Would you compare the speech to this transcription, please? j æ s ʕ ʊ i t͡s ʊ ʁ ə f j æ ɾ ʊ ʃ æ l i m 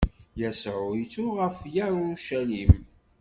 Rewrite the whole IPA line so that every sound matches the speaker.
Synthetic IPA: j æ s ʕ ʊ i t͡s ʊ ʁ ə f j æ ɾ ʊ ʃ æ l i m

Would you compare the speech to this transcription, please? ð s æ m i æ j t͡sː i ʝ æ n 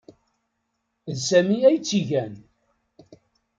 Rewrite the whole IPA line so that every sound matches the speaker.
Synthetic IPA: ð s æ m i æ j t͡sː i ʝ æ n

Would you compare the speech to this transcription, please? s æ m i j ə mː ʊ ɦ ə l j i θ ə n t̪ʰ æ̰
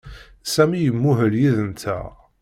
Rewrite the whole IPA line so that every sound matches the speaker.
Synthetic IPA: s æ m i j ə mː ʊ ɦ ə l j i ð ə n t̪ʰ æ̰

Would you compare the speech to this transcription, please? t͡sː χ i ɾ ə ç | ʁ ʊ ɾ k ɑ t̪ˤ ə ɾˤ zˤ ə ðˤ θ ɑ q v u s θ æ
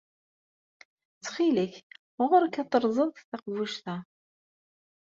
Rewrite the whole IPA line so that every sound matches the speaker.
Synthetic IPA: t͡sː χ i l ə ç | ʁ ʊ ɾ k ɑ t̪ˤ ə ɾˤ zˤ ə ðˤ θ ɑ q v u ʃ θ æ

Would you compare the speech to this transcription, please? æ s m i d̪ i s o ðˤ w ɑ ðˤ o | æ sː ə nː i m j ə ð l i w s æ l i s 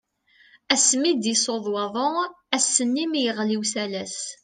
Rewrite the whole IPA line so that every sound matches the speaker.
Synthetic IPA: æ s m i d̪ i s o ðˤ w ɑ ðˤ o | æ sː ə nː i m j ə ʁ l i w s æ l æ s

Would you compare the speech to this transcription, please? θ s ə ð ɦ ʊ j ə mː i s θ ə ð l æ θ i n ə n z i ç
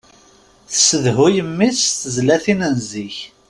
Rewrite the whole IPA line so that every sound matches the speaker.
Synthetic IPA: θ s ə ð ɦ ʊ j ə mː i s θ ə z l æ θ i n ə n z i ç

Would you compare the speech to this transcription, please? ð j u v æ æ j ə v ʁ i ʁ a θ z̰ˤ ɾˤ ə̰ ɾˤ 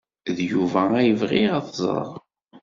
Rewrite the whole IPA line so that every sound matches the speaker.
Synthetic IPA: ð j u v æ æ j ə v ʁ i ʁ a θ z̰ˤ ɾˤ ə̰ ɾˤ

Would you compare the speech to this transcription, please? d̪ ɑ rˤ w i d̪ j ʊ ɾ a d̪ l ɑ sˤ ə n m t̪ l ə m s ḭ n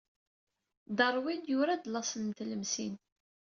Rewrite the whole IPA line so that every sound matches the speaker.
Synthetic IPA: d̪ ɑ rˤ w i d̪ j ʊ ɾ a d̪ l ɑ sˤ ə n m t̪ l ə m s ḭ n

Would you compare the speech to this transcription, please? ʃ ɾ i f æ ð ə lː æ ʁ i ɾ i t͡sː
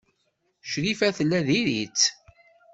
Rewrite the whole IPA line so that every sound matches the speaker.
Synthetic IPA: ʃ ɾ i f æ θ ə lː æ ð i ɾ i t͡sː

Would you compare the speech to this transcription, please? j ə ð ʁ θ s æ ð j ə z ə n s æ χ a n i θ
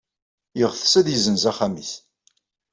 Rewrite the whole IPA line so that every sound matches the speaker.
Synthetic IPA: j ə ʁ θ s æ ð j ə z ə n z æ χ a m i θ

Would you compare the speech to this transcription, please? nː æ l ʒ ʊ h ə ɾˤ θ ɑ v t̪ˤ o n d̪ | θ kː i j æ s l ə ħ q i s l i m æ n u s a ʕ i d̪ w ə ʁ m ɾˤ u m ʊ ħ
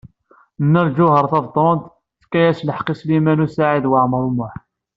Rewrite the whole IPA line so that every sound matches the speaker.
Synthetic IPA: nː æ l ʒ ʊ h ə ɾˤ θ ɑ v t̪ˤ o n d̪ | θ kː æ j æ s l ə ħ q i s l i m æ n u s a ʕ i d̪ w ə ʕ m ɾˤ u m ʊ ħ

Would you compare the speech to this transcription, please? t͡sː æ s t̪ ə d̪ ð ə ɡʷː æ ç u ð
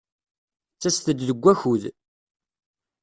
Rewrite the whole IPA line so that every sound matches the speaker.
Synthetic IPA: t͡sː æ s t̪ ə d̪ ð ə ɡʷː æ ç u ð

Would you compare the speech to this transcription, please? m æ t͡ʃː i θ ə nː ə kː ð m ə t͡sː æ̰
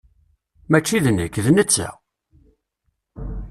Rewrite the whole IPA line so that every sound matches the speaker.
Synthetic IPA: m æ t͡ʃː i ð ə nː ə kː ð n ə t͡sː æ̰

